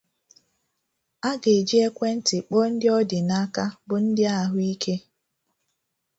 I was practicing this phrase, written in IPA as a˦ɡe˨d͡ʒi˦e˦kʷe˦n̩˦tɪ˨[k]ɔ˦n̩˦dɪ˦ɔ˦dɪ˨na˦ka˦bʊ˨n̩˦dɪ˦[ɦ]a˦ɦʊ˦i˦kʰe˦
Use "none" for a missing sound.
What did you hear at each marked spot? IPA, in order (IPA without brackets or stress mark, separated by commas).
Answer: k͡p, none